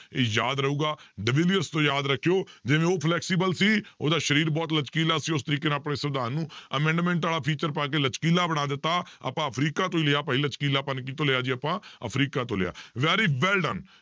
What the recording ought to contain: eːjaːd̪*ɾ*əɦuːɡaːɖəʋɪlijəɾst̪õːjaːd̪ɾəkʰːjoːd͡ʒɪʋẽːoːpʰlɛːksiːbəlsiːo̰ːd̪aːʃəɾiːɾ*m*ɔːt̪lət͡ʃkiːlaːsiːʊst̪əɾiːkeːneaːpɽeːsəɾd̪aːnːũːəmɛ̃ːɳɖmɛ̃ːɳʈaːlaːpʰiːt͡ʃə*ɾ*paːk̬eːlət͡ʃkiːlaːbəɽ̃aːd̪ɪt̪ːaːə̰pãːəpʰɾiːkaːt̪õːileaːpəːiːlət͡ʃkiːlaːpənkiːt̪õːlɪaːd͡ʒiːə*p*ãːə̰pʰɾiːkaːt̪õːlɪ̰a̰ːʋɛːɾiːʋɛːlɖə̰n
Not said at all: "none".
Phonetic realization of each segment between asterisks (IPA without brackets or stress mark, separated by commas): ɾ, b, ɾ, p